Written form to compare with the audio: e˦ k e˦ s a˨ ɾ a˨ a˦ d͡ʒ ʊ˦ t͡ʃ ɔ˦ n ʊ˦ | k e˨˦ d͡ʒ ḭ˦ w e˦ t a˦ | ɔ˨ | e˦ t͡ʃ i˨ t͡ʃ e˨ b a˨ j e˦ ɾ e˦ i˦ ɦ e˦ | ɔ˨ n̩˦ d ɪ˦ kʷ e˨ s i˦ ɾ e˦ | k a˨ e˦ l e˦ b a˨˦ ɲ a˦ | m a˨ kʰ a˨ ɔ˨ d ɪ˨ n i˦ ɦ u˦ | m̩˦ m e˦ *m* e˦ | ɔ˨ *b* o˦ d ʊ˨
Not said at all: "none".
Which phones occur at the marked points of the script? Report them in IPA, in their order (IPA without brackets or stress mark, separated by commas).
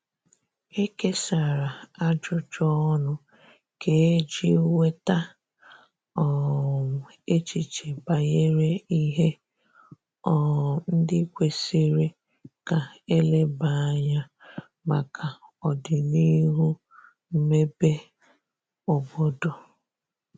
b, b